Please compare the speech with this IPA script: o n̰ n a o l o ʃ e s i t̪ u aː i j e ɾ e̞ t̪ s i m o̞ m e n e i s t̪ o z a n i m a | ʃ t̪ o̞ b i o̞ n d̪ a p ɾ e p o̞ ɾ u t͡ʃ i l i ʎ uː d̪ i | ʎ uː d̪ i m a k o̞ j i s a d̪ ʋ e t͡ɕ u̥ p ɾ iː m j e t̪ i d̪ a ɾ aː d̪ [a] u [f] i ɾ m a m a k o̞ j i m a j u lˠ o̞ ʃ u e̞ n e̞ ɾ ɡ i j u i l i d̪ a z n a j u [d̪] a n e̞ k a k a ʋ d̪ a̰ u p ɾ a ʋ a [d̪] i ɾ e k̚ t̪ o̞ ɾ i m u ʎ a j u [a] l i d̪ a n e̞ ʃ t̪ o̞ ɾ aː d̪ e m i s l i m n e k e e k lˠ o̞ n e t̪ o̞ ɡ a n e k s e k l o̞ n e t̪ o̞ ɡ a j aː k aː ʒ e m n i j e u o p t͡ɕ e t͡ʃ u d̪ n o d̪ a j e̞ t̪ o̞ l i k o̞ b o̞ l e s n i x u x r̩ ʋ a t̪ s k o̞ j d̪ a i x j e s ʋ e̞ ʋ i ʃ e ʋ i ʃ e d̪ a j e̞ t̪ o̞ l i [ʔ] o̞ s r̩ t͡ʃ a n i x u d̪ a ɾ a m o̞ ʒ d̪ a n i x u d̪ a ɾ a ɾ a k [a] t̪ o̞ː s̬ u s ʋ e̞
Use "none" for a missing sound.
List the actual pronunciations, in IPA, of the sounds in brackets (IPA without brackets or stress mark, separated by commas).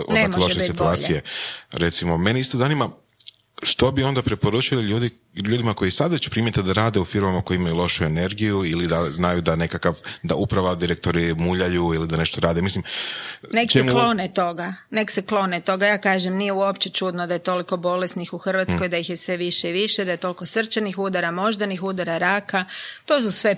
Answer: e, f, d̪, d̪, i, k, a